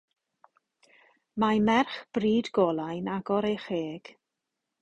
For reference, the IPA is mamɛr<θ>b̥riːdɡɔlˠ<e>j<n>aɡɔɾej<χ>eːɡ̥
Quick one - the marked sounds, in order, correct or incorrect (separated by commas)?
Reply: incorrect, incorrect, correct, correct